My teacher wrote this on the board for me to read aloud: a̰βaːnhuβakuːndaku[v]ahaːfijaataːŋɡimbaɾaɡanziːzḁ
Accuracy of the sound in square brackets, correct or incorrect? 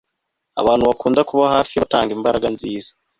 incorrect